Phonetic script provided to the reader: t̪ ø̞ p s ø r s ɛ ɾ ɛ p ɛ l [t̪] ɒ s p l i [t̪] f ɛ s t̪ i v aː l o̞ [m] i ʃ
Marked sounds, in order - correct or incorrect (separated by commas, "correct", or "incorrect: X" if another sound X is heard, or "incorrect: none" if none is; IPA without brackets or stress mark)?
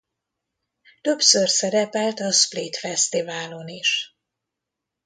correct, correct, incorrect: n